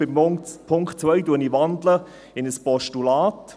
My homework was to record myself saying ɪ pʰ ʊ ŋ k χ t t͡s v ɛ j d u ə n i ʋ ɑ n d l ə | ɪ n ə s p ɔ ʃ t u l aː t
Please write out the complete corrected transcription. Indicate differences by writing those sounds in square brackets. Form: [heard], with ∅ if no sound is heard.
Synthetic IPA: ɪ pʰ ʊ ŋ k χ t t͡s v [œ] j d u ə n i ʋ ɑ n d l ə | ɪ n ə s p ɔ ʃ t u l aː t